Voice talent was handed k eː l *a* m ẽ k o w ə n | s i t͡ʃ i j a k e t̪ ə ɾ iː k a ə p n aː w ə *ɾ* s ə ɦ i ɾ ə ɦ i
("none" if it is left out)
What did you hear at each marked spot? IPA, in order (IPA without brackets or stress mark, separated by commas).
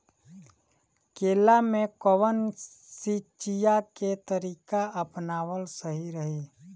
a, l